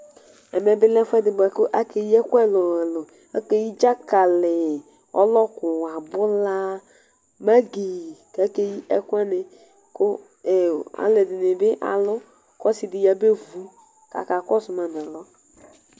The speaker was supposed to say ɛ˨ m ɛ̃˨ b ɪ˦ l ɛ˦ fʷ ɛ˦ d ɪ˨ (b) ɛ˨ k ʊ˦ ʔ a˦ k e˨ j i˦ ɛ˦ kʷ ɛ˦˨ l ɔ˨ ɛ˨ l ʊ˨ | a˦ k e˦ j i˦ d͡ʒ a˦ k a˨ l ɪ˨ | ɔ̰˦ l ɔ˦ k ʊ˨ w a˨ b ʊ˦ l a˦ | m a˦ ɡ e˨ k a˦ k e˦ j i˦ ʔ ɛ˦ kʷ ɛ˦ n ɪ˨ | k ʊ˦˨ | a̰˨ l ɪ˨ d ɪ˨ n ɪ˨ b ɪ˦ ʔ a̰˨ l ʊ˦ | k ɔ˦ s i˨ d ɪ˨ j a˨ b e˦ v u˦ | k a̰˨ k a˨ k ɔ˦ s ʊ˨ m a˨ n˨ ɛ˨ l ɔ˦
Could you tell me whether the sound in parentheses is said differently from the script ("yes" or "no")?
no